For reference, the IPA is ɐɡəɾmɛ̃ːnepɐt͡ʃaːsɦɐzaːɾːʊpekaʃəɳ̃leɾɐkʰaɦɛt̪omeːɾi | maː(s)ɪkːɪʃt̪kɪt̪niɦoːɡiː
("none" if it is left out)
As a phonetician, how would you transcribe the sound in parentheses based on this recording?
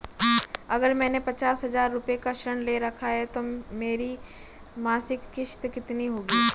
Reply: s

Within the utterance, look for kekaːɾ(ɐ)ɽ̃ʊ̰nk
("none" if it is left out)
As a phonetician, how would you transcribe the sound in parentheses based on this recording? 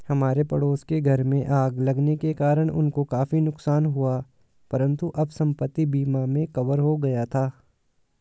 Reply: ə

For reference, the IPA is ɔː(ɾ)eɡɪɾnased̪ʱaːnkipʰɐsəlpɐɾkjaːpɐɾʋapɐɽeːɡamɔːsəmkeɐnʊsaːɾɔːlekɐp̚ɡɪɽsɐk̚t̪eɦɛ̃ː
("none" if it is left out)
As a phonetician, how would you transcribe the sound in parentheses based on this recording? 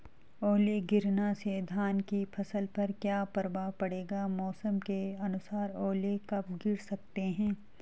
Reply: l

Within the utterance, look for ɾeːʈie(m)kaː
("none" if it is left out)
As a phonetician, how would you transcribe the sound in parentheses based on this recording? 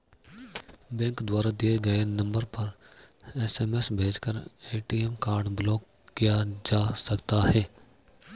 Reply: m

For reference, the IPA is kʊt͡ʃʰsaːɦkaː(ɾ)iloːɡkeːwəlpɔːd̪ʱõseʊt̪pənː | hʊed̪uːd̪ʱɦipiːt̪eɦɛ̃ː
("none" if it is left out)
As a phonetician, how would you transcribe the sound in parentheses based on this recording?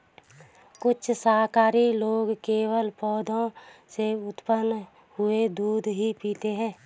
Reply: ɾ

